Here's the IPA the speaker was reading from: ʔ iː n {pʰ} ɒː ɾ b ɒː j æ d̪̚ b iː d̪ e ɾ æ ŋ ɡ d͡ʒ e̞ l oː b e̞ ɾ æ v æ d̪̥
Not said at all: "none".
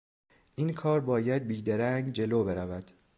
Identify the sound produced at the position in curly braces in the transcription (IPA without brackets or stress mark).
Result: kʰ